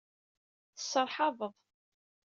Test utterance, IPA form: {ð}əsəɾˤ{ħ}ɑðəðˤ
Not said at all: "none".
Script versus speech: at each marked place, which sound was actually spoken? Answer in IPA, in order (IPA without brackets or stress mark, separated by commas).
θ, ħ